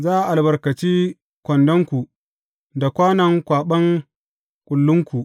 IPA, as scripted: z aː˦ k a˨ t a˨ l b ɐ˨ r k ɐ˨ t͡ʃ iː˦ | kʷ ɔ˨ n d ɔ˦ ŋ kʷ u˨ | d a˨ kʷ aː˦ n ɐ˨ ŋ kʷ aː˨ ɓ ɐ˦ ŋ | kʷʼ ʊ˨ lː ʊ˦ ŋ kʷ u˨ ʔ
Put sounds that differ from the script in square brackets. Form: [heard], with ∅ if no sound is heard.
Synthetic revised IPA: z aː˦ [ʔ] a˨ [ʔ] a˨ l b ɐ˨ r k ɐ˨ t͡ʃ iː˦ | kʷ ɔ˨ n d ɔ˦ ŋ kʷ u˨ | d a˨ kʷ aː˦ n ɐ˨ ŋ kʷ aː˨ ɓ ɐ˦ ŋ | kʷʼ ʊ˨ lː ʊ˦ ŋ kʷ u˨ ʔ